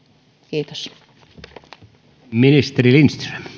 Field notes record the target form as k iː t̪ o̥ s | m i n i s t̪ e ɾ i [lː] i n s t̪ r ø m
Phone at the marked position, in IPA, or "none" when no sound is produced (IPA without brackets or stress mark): l